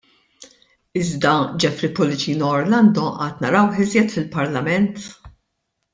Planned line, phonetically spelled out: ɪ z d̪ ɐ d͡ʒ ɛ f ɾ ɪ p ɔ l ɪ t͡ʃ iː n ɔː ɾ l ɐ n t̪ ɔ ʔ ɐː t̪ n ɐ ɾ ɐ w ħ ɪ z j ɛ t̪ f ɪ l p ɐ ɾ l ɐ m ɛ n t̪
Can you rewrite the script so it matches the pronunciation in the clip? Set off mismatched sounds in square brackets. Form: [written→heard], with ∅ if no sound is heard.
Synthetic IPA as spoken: ɪ z d̪ ɐ d͡ʒ ɛ f ɾ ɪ p ɔ l ɪ t͡ʃ iː n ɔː ɾ l ɐ n [t̪→d̪] ɔ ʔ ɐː t̪ n ɐ ɾ ɐ w ħ ɪ z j ɛ t̪ f ɪ l p ɐ ɾ l ɐ m ɛ n t̪